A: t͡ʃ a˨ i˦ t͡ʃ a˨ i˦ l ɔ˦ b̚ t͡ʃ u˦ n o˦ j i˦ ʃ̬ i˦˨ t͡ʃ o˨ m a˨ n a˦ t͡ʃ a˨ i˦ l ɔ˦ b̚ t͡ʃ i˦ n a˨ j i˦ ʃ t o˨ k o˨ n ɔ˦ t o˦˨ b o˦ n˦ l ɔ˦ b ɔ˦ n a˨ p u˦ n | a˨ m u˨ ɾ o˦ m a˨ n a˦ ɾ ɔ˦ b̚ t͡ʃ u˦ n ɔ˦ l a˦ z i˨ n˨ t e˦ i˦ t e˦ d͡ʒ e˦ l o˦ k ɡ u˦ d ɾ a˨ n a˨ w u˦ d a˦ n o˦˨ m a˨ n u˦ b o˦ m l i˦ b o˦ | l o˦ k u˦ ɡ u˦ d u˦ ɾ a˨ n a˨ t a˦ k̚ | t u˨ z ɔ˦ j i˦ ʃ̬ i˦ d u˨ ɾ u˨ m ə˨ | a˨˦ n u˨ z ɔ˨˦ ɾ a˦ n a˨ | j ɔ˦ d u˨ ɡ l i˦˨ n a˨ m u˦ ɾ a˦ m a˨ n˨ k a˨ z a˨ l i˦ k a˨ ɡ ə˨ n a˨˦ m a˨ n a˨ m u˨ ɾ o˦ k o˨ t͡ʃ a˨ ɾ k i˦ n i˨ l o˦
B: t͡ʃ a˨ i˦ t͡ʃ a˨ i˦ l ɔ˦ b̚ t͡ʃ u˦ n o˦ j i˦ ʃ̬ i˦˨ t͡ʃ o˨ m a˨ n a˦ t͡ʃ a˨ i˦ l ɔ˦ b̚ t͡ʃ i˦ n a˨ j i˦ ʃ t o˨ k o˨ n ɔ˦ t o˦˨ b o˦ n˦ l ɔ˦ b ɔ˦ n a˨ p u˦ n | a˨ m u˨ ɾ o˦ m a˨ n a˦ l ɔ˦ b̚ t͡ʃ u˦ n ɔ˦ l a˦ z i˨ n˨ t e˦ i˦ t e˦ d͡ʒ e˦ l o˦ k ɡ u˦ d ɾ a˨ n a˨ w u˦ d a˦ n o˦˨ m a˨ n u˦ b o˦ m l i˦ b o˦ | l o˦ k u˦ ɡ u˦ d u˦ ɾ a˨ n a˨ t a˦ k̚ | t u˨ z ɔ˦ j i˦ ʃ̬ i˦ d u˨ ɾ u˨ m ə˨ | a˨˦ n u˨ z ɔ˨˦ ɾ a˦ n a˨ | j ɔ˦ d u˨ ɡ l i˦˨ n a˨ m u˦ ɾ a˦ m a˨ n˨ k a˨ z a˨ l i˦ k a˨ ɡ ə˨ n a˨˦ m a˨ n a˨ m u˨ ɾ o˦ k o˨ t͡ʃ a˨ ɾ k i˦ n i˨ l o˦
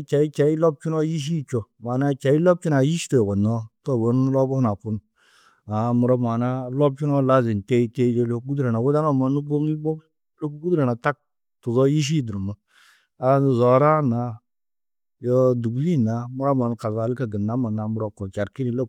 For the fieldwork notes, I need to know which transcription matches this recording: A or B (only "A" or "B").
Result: B